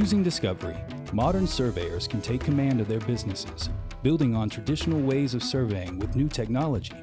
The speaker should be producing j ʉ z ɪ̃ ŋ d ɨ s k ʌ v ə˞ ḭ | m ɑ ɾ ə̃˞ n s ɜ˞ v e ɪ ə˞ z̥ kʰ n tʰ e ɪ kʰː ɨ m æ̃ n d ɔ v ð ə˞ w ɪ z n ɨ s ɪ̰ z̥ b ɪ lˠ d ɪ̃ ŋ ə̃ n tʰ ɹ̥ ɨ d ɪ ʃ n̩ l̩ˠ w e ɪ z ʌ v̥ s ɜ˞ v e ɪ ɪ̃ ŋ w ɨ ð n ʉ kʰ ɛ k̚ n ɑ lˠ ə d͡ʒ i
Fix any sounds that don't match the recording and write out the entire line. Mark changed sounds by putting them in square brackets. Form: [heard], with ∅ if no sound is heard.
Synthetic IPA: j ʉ z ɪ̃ ŋ d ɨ s k ʌ v ə˞ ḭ | m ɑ ɾ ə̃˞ n s ɜ˞ v e ɪ ə˞ z̥ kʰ n tʰ e ɪ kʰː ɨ m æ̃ n d [ʌ] v ð ə˞ [b] ɪ z n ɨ s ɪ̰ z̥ b ɪ lˠ d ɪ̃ ŋ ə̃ n tʰ ɹ̥ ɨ d ɪ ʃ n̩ l̩ˠ w e ɪ z ʌ v̥ s ɜ˞ v e ɪ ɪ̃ ŋ w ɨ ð n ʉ [tʰ] ɛ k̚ n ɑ lˠ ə d͡ʒ i